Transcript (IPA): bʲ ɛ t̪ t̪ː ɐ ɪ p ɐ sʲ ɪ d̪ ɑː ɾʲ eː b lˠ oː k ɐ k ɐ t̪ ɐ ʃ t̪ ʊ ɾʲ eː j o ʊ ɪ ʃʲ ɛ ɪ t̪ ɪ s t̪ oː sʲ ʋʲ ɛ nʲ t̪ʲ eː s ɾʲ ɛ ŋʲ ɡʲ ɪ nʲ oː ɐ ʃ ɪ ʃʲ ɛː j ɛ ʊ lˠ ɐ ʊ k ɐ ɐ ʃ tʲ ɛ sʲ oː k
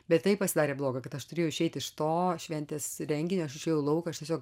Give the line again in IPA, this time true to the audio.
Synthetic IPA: bʲ ɛ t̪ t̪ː ɐ ɪ p ɐ sʲ ɪ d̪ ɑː ɾʲ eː b lˠ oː ɡ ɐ k ɐ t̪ ɐ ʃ t̪ ʊ ɾʲ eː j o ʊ ɪ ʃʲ ɛ ɪ t̪ ɪ ʃ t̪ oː ʃʲ ʋʲ ɛ nʲ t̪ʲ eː s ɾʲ ɛ ŋʲ ɡʲ ɪ nʲ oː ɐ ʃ ɪ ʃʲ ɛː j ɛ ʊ lˠ ɐ ʊ k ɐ ɐ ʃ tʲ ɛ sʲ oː k